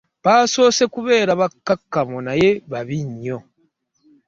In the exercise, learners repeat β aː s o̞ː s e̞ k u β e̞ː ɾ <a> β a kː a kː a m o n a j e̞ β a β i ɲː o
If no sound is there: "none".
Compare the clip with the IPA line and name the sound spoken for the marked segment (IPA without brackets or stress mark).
a